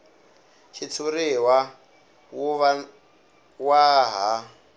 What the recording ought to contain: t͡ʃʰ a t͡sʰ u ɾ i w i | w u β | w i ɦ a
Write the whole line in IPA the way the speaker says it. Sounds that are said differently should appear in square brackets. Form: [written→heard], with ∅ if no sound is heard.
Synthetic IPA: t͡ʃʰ [a→i] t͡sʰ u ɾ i w [i→a] | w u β | w [i→a] ɦ a